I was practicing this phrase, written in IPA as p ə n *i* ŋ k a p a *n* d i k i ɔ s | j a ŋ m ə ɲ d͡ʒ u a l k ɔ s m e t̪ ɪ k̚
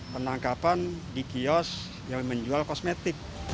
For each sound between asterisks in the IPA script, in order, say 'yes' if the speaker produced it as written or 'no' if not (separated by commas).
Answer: no, yes